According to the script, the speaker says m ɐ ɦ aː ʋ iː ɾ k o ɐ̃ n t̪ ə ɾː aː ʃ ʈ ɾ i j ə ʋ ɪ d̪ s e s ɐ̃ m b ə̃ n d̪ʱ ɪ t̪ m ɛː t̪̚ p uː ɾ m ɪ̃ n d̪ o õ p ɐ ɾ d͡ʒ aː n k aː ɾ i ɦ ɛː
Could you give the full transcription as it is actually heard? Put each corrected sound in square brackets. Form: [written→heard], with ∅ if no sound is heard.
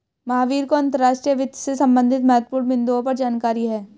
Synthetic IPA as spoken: m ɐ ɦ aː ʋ iː ɾ k o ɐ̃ n t̪ ə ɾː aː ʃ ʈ ɾ i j ə ʋ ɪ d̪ s e s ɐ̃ m b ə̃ n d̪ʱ ɪ t̪ m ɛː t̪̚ p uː ɾ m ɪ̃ n d̪ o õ p ɐ ɾ d͡ʒ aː n k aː ɾ i ɦ ɛː